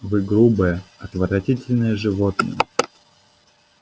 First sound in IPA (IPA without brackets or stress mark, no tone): v